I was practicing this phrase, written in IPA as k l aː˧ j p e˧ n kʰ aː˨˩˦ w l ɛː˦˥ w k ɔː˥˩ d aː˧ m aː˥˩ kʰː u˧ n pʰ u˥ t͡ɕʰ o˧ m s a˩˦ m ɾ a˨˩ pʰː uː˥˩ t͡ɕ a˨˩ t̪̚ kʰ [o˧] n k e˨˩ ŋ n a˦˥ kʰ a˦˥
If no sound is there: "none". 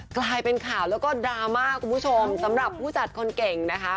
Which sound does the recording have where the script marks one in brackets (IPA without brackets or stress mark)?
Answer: o˧